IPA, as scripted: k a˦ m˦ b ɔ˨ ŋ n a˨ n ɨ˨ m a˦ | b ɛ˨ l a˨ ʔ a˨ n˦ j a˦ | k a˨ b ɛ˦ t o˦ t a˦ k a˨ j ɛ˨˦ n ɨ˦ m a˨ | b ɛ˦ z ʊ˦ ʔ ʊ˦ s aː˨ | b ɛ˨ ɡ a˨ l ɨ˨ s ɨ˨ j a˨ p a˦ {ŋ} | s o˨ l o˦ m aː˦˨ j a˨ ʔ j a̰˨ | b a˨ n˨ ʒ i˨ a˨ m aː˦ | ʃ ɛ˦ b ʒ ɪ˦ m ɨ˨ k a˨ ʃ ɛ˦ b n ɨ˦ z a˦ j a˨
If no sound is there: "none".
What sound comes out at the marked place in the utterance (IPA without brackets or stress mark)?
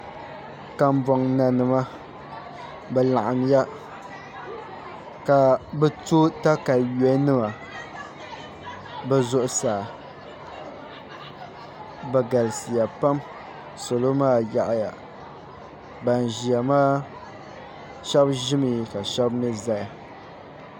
m